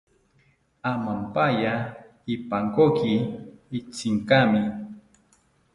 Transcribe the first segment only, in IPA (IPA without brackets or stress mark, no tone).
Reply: a